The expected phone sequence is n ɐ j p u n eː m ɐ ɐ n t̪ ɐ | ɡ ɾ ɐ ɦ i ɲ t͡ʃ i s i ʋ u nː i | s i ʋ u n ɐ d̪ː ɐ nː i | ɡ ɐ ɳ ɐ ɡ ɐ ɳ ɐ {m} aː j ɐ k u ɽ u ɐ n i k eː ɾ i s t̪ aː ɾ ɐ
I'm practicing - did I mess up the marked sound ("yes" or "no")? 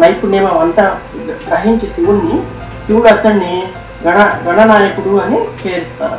yes